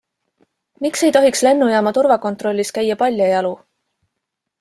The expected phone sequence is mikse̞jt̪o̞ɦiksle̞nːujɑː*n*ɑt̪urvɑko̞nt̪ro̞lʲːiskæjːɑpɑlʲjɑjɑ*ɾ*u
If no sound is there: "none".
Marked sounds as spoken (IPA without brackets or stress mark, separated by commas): m, l